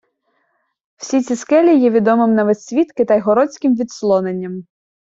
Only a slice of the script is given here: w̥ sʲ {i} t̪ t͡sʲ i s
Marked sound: correct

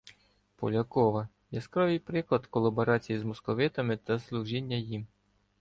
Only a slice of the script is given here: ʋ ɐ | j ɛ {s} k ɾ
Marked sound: correct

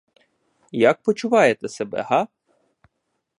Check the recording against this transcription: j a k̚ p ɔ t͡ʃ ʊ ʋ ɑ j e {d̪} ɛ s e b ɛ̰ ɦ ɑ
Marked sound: incorrect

